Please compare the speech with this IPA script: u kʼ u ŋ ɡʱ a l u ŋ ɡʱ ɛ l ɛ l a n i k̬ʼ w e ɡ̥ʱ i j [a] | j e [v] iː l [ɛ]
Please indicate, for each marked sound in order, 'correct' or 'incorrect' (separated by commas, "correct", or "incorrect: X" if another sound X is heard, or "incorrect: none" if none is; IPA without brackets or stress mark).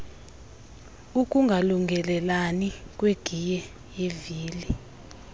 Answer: incorrect: ɛ, correct, incorrect: i